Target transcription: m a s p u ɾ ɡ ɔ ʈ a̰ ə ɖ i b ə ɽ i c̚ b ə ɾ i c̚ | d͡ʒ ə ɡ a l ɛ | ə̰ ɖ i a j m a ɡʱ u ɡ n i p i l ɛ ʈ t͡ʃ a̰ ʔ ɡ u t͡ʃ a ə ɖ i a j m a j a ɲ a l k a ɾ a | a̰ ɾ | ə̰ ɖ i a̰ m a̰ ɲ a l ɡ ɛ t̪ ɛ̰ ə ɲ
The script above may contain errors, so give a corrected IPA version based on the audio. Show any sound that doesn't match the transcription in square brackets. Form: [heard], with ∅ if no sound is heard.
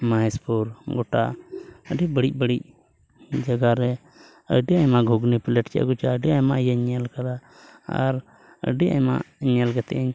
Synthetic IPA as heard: m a s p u ɾ ɡ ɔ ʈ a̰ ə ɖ i b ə ɽ i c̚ b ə [ɽ] i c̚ | d͡ʒ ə ɡ a [ɾ] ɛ | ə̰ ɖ i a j m a ɡʱ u ɡ n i p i l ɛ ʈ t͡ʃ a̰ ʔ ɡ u t͡ʃ a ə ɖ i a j m a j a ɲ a l k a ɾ a | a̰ ɾ | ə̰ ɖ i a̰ m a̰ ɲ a l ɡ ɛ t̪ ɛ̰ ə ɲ